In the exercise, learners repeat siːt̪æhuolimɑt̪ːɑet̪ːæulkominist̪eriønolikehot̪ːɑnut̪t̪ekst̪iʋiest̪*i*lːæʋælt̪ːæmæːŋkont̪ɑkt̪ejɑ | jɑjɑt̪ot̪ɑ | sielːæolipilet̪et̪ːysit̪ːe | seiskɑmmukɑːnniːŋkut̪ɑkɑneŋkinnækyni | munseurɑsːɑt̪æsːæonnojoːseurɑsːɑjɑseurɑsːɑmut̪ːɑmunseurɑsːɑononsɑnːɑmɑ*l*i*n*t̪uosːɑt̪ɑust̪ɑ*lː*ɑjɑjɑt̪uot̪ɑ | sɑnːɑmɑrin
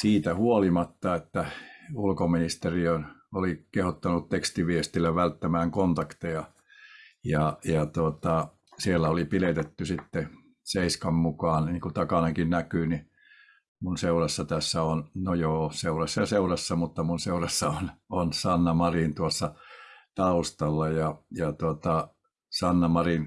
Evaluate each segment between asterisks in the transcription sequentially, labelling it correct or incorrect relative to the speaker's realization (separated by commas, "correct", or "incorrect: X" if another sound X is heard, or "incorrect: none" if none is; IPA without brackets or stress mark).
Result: correct, incorrect: r, correct, correct